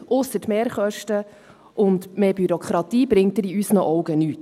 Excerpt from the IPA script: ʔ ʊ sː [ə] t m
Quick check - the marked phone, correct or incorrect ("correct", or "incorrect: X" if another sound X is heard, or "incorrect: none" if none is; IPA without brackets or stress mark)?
correct